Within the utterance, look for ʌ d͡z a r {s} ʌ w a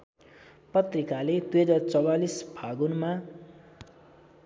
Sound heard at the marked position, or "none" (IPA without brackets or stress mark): t͡s